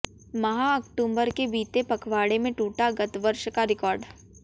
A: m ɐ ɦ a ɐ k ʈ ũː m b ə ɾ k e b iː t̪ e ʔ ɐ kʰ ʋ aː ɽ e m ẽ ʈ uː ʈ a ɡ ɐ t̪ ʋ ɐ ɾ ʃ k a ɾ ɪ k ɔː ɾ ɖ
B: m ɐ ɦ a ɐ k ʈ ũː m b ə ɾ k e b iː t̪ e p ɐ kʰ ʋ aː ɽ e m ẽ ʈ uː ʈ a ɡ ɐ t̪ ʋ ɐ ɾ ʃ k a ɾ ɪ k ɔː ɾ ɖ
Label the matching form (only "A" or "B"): B